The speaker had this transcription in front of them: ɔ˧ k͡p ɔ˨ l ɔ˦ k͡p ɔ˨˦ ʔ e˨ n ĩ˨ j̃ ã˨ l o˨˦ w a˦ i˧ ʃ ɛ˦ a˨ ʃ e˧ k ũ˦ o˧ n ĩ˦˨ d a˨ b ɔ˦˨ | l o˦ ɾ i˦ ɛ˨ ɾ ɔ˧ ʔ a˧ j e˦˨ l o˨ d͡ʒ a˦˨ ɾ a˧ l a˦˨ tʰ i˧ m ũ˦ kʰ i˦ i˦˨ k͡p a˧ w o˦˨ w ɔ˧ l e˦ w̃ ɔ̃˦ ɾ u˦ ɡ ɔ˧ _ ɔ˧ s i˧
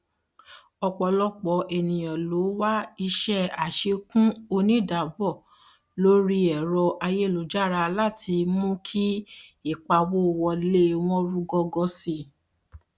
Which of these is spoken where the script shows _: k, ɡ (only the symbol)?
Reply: ɡ